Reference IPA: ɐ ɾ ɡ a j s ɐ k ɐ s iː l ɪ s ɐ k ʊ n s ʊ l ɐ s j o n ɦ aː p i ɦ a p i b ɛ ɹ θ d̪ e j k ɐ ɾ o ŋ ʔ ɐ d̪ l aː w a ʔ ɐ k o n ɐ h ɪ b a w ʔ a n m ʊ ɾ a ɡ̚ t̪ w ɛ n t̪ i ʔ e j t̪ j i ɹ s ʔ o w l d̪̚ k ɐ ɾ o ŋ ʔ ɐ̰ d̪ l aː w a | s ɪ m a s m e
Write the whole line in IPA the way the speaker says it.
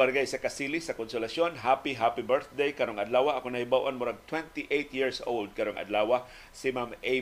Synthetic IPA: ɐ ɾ ɡ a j s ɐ k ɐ s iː l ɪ s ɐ k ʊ n s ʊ l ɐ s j o n ɦ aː p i ɦ a p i b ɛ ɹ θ d̪ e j k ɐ ɾ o ŋ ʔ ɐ d̪ l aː w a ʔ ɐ k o n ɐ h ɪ b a w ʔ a n m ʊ ɾ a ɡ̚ t̪ w ɛ n t̪ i ʔ e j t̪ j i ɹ s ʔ o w l d̪̚ k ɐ ɾ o ŋ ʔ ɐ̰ d̪ l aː w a | s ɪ m a m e